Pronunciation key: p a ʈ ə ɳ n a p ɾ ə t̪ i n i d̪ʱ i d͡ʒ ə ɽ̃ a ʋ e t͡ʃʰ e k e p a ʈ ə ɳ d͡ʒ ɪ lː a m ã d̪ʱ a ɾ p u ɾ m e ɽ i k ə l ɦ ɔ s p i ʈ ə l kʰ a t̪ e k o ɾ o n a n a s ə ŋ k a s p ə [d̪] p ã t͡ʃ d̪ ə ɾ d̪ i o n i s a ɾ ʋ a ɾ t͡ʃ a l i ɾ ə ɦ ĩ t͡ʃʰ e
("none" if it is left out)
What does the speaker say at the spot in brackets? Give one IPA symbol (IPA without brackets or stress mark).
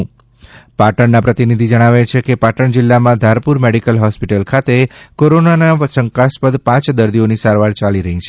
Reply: d̪